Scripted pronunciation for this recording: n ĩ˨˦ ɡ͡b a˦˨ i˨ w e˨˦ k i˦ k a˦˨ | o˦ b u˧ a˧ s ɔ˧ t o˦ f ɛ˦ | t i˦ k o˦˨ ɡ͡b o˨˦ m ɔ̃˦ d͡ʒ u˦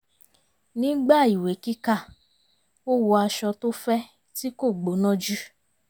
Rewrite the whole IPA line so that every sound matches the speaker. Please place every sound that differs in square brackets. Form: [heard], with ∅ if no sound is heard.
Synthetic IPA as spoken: n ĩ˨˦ ɡ͡b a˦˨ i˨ w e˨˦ k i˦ k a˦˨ | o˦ [w] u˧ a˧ [ʃ] ɔ˧ t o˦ f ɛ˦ | t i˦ k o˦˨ ɡ͡b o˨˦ [n] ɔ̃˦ d͡ʒ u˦